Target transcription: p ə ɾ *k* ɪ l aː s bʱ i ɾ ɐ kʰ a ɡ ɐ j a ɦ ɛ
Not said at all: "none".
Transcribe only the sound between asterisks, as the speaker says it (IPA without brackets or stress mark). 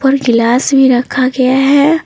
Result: ɡ